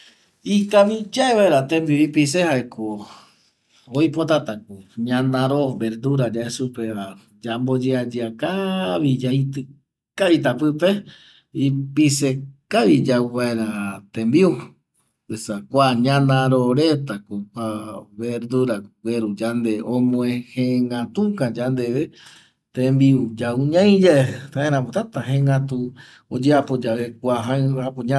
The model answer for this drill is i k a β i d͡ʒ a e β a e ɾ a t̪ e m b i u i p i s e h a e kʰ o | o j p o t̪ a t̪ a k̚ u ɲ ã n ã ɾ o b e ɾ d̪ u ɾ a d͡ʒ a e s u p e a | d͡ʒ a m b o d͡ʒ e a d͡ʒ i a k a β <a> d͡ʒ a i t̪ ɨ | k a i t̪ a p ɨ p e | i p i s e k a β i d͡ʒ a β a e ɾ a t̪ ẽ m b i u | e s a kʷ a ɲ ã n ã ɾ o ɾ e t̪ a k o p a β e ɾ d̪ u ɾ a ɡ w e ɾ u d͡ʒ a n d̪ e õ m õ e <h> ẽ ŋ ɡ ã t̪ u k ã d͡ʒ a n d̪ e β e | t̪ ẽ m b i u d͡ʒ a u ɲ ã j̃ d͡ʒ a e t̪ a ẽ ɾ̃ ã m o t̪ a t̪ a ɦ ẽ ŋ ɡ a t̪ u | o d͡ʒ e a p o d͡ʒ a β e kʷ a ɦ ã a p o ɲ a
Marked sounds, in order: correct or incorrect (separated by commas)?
incorrect, correct